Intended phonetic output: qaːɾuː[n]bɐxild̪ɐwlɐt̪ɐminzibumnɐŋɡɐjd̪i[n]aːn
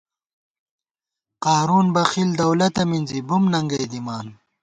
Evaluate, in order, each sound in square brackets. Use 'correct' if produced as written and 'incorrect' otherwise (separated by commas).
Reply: correct, incorrect